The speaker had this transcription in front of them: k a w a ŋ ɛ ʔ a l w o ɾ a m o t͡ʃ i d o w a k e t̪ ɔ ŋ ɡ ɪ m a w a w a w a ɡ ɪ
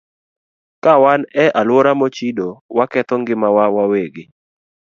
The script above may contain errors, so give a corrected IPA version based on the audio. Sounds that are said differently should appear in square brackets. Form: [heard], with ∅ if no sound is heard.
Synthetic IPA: k a w a [n] ɛ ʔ a l w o ɾ a m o t͡ʃ i d o w a k [ɛ] t̪ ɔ ŋ ɡ ɪ m a w a w a w [e] ɡ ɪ